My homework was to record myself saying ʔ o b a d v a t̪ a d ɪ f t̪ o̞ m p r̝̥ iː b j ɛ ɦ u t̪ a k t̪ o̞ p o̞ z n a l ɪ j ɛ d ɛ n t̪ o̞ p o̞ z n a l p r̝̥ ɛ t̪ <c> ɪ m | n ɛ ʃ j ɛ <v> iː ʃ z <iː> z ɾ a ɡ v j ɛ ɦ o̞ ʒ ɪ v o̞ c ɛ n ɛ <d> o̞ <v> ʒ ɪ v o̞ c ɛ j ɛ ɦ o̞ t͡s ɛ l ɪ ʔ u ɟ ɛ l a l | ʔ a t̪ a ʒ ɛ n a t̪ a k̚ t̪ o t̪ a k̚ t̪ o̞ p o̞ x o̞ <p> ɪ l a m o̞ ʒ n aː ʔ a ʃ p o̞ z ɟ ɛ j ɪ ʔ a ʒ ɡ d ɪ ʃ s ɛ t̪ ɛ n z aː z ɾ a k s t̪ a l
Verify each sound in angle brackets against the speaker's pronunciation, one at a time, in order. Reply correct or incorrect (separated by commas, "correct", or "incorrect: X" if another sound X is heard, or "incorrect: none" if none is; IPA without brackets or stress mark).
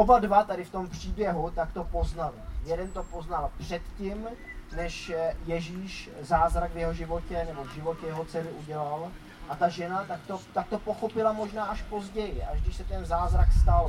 correct, incorrect: ʒ, incorrect: aː, incorrect: b, correct, correct